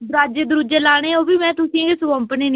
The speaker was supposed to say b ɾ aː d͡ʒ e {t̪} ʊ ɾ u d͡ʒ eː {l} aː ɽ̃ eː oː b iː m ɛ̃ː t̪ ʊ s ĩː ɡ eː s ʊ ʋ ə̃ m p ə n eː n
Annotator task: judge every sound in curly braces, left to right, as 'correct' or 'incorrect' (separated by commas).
incorrect, correct